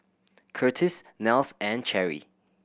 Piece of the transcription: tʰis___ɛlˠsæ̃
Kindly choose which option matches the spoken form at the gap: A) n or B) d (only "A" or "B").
A